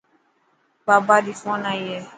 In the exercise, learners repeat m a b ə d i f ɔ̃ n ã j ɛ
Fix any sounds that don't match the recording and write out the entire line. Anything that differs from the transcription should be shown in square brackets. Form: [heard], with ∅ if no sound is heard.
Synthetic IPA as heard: [b] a b [a] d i f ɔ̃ n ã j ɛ

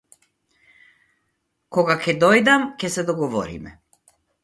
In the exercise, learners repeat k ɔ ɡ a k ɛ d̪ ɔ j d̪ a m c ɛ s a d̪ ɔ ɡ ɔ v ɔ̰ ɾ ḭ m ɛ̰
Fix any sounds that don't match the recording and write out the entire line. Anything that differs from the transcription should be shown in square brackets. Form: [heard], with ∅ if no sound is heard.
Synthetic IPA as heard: k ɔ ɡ a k ɛ d̪ ɔ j d̪ a m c ɛ s [ɛ] d̪ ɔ ɡ ɔ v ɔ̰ ɾ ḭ m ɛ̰

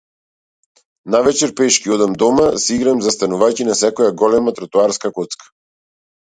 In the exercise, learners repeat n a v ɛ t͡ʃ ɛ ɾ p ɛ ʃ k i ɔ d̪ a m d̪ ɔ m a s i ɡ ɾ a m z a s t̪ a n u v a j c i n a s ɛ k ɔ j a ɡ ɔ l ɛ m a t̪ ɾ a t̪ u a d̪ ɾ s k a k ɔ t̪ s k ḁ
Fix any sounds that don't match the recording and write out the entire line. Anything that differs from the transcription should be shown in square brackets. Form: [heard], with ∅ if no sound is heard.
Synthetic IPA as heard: n a v ɛ t͡ʃ ɛ ɾ p ɛ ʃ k i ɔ d̪ a m d̪ ɔ m a s i ɡ ɾ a m z a s t̪ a n u v a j c i n a s ɛ k ɔ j a ɡ ɔ l ɛ m a t̪ ɾ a t̪ u a [∅] ɾ s k a k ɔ t̪ s k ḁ

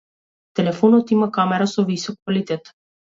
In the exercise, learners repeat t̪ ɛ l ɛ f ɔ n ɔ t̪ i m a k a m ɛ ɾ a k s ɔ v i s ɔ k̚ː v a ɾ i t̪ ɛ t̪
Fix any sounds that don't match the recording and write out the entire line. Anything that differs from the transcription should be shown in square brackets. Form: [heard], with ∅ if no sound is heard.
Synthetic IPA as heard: t̪ ɛ l ɛ f ɔ n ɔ t̪ i m a k a m ɛ ɾ a [∅] s ɔ v i s ɔ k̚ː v a [l] i t̪ ɛ t̪

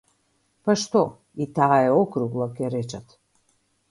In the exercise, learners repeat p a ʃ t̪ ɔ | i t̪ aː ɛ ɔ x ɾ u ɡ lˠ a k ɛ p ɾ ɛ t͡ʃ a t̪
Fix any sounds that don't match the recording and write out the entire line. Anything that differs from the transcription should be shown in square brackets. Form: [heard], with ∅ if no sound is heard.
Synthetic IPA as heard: p a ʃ t̪ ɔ | i t̪ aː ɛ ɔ [k] ɾ u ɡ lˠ a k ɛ [∅] ɾ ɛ t͡ʃ a t̪

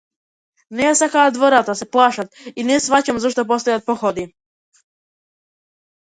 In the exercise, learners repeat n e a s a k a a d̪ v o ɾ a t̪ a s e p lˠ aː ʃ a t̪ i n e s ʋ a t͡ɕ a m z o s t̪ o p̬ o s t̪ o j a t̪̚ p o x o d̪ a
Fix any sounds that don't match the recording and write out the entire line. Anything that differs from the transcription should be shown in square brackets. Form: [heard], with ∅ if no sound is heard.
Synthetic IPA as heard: n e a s a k a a d̪ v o ɾ a t̪ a s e p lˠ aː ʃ a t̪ i n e s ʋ a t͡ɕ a m z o [ʃ] t̪ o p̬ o s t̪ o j a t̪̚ p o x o d̪ [i]

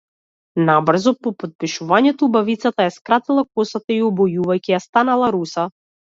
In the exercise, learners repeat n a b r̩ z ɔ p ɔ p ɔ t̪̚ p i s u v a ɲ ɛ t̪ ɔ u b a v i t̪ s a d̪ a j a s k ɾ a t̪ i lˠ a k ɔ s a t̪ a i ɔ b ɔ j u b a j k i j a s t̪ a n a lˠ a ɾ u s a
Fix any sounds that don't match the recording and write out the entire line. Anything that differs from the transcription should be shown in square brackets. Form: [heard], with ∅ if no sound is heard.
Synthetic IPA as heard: n a b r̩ z ɔ p ɔ p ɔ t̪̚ p i [ʃ] u v a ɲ ɛ t̪ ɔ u b a v i t̪ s a [t̪] a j a s k ɾ a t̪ i lˠ a k ɔ s a t̪ a i ɔ b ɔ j u [v] a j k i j a s t̪ a n a lˠ a ɾ u s a

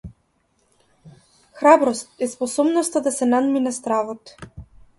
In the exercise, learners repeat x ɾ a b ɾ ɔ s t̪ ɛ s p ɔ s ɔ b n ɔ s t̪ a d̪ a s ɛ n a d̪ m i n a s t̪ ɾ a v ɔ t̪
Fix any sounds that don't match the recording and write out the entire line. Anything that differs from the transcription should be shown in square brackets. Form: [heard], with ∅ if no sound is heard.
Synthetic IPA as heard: x ɾ a b ɾ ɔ s t̪ ɛ s p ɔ s ɔ b n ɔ s t̪ a d̪ a s ɛ n a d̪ m i n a s t̪ ɾ a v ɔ t̪

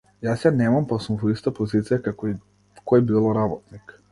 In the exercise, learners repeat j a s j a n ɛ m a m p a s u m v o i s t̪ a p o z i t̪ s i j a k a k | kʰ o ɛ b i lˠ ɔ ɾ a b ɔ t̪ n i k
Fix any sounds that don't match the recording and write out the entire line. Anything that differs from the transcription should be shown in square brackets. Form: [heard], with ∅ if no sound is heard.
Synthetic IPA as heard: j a s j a n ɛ m a m p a s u m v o i s t̪ a p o z i t̪ s i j a k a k | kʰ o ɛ b i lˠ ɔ ɾ a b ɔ t̪ n i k

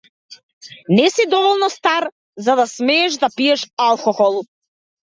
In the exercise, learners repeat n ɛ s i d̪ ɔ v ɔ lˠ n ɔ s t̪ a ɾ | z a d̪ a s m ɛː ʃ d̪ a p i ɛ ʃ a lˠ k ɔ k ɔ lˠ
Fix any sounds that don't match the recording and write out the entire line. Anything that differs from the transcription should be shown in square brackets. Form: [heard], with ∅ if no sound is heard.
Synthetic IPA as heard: n ɛ s i d̪ ɔ v ɔ lˠ n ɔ s t̪ a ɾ | z a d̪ a s m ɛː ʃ d̪ a p i ɛ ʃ a lˠ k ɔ [x] ɔ lˠ

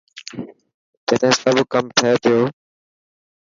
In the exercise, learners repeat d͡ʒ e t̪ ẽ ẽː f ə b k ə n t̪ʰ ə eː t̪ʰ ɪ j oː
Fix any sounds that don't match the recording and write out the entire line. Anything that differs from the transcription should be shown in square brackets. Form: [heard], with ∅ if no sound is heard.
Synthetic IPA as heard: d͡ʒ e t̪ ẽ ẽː [s] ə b k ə [m] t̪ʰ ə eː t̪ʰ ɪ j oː

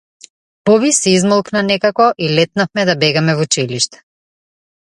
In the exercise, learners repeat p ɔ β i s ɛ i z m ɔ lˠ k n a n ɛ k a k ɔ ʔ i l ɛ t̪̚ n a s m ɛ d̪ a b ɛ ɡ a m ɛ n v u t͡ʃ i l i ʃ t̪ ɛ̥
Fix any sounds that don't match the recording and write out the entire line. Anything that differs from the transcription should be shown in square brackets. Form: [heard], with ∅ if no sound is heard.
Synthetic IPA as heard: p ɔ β i s ɛ i z m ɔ lˠ k n a n ɛ k a k ɔ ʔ i l ɛ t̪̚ n a [f] m ɛ d̪ a b ɛ ɡ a m ɛ [∅] v u t͡ʃ i l i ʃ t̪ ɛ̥

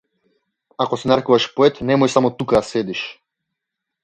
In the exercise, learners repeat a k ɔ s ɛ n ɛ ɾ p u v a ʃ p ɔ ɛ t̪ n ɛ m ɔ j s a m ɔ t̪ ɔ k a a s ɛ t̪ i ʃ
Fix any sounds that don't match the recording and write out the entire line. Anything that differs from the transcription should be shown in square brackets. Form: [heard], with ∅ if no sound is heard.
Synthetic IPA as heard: a k ɔ s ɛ n [a] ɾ [k] u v a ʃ p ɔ ɛ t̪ n ɛ m ɔ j s a m ɔ t̪ [u] k a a s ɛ [d̪] i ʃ

